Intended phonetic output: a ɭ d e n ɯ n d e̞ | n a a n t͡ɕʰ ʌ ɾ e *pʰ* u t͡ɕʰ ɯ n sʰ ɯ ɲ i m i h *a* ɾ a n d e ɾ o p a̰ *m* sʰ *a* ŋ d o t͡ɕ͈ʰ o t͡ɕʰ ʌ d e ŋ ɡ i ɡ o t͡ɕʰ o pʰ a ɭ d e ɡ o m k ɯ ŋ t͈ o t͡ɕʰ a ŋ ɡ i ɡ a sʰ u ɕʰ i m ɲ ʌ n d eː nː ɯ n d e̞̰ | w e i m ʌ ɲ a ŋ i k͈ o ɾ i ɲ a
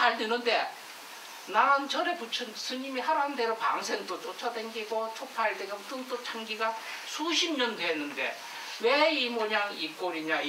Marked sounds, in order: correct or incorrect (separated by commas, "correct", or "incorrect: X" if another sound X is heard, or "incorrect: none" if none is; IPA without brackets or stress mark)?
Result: incorrect: p, correct, incorrect: ŋ, incorrect: e